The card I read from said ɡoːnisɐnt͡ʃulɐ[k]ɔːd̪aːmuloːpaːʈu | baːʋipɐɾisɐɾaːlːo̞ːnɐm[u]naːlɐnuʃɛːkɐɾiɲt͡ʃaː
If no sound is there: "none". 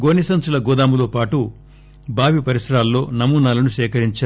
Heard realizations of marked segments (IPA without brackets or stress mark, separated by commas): ɡ, uː